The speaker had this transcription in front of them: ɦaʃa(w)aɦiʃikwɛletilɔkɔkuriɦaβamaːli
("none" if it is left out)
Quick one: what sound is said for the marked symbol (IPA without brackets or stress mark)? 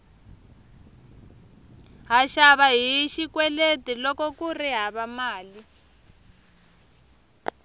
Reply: β